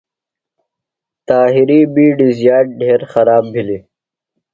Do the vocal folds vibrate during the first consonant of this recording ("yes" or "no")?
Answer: no